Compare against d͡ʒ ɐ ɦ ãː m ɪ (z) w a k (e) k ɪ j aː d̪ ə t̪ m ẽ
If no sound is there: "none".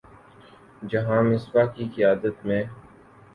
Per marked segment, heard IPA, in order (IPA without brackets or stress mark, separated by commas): s, i